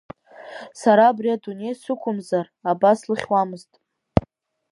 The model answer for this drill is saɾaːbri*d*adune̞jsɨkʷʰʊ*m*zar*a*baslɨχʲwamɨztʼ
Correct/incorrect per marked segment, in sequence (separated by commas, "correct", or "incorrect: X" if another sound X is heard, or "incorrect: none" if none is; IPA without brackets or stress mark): incorrect: none, correct, correct